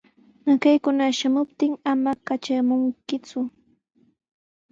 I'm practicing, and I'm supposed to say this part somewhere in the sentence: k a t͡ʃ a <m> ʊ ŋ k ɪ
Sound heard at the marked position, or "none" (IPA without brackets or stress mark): m